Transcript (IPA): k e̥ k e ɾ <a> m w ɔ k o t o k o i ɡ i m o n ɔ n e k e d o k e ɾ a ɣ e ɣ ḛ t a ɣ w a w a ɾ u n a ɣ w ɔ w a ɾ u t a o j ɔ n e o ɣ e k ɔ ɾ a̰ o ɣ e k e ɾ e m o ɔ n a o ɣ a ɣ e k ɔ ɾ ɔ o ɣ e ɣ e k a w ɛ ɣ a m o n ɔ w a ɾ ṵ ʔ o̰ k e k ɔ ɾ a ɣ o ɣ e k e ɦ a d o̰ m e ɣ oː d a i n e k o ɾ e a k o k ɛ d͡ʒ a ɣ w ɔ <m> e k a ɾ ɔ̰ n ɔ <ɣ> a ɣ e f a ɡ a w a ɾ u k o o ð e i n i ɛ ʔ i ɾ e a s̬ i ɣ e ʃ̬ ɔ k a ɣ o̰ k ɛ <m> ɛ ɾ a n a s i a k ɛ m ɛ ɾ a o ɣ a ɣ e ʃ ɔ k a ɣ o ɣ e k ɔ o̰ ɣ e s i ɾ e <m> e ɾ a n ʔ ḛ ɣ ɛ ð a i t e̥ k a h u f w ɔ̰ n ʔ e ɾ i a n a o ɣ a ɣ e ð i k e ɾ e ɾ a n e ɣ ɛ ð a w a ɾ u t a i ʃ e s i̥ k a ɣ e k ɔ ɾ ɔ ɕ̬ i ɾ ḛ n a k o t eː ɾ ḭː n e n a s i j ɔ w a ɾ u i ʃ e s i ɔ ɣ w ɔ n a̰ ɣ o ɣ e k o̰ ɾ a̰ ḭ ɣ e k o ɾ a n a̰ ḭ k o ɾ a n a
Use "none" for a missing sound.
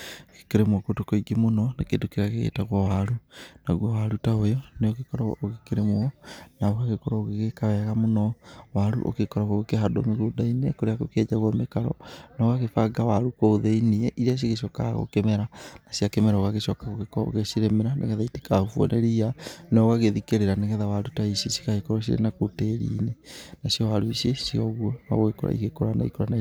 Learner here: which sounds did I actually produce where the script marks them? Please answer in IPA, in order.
e, m, ɣ, m, m

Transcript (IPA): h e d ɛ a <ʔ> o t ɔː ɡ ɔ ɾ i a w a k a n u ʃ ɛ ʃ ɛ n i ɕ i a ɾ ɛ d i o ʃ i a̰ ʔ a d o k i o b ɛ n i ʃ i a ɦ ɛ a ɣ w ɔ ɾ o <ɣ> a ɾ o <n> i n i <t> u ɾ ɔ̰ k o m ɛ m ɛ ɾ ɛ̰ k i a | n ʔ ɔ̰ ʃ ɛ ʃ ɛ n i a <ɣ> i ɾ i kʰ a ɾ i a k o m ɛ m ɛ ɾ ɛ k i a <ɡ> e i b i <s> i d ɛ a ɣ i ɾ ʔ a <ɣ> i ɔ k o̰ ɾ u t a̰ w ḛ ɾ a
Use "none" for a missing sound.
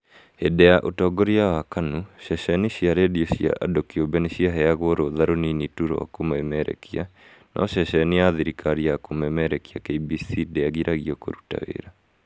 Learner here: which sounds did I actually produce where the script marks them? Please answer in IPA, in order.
ʔ, ð, n, t, ð, k, s, ɣ

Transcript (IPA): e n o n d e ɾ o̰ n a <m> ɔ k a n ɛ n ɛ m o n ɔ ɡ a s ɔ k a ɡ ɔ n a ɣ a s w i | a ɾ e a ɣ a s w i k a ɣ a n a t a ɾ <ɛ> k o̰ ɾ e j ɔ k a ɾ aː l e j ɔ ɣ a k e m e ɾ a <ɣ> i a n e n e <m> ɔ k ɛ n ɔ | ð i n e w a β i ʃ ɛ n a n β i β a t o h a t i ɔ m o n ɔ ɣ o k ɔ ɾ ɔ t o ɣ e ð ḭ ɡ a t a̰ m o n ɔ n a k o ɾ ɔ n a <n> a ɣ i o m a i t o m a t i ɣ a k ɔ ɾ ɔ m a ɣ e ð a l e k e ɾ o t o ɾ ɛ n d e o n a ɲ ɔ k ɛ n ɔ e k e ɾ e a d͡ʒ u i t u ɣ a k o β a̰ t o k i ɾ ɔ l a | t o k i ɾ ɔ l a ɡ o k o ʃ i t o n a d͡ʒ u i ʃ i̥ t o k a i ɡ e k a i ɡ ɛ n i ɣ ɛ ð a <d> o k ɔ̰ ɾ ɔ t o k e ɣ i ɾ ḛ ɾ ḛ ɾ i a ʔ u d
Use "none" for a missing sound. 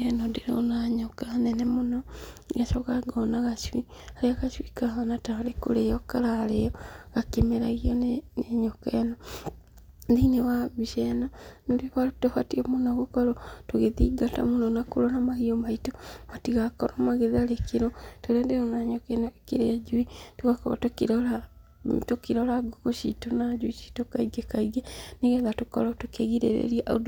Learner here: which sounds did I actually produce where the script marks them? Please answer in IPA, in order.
ɲ, e, ɣ, ɲ, m, t

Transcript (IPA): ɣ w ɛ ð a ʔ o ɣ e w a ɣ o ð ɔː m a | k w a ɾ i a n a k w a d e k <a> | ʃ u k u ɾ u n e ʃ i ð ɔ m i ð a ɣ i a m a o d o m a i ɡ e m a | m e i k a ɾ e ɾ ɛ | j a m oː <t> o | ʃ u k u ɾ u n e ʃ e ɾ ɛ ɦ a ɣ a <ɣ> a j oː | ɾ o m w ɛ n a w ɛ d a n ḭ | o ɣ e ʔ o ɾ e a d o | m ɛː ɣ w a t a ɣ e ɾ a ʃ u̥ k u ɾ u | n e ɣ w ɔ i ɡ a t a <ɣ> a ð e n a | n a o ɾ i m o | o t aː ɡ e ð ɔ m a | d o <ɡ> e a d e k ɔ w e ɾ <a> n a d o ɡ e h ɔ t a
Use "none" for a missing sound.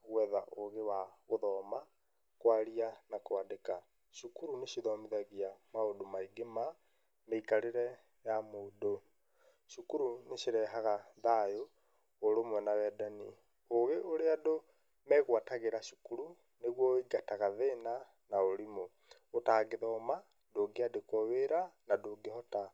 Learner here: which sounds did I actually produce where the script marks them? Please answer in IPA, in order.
a, d, ð, ɣ, ɡ, a

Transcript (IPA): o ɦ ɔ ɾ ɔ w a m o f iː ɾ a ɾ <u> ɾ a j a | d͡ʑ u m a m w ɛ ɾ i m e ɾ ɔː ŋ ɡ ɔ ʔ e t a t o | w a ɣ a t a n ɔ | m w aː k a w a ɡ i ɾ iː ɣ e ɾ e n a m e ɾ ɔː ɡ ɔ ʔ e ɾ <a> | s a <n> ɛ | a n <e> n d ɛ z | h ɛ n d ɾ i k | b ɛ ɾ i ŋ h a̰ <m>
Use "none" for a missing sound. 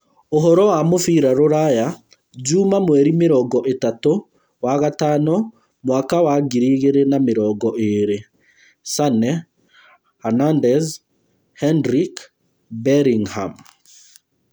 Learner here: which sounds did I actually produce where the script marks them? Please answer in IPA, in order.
o, e, n, a, m

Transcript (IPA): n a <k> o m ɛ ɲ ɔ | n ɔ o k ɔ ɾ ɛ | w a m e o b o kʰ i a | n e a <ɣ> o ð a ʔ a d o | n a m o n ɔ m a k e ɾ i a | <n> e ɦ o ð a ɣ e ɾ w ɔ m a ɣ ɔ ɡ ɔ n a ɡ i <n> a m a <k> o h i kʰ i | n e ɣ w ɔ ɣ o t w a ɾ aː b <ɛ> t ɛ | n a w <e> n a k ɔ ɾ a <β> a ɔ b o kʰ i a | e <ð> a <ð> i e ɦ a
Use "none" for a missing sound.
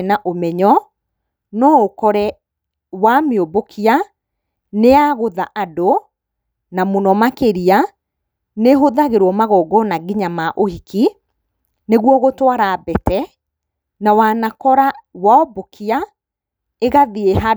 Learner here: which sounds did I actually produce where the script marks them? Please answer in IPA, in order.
ʔ, ɣ, n, ɲ, ʔ, ɛ, a, w, ɣ, ð

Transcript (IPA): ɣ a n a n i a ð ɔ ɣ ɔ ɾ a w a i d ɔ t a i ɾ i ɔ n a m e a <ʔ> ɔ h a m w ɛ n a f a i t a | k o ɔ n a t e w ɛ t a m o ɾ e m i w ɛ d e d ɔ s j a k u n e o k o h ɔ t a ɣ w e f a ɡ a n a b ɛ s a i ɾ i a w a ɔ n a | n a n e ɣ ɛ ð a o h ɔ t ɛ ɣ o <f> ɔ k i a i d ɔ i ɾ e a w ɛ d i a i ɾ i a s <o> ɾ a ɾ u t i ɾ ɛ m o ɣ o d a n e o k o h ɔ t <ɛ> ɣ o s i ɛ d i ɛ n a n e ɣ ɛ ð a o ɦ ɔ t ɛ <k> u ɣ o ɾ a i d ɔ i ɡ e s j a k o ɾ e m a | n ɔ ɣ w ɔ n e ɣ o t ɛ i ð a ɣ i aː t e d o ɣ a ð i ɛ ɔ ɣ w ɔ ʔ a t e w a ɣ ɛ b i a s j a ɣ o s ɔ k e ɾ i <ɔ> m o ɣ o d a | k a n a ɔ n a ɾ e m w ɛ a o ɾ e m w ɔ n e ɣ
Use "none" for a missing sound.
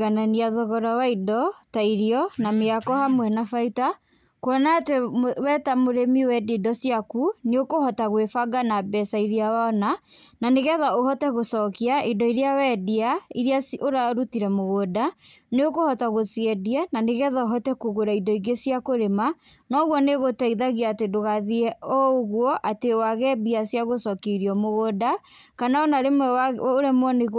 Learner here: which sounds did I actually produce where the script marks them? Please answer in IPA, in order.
k, s, o, a, k, ɔ

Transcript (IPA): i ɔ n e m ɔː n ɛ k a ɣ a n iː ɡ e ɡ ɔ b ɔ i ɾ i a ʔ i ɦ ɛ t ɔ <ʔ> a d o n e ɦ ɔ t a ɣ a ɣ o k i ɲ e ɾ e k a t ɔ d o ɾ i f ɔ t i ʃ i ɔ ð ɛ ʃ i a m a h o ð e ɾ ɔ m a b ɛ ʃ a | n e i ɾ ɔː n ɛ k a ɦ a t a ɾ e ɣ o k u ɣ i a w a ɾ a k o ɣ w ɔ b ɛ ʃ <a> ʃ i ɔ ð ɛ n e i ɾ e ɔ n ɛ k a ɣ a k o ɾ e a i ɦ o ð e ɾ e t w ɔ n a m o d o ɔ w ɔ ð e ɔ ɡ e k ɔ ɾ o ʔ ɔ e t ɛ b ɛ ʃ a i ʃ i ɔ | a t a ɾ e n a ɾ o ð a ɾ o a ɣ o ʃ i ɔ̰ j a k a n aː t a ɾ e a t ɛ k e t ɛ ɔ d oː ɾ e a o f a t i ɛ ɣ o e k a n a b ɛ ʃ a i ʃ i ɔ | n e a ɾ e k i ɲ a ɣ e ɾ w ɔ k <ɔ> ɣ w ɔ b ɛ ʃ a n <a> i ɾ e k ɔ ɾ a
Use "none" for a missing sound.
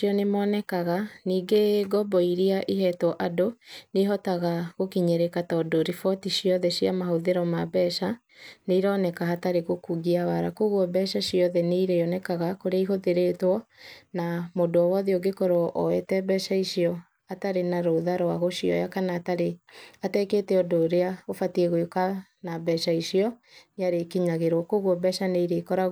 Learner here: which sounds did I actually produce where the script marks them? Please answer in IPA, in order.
ʔ, a, o, e

